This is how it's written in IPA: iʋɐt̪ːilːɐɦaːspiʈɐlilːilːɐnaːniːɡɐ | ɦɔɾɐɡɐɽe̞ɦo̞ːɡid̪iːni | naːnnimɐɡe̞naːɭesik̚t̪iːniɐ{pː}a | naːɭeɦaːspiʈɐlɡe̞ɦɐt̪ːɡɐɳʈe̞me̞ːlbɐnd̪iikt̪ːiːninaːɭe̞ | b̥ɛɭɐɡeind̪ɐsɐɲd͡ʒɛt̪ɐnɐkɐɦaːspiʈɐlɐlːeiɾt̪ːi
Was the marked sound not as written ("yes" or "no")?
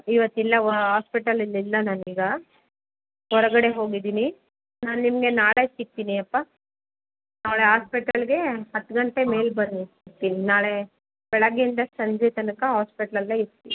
no